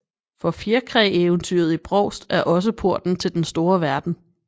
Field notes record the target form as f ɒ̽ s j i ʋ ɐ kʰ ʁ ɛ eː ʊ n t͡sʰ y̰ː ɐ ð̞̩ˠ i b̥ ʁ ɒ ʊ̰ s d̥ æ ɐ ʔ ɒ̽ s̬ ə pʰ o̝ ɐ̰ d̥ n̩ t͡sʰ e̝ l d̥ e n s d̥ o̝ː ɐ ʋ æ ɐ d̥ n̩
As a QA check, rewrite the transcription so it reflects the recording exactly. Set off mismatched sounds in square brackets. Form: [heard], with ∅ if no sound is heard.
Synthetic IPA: f ɒ̽ [f] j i [∅] ɐ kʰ ʁ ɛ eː ʊ n t͡sʰ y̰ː ɐ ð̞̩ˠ i b̥ ʁ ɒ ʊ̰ s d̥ æ ɐ ʔ ɒ̽ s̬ ə pʰ o̝ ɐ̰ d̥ n̩ t͡sʰ e̝ l d̥ e n s d̥ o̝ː ɐ ʋ æ ɐ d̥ n̩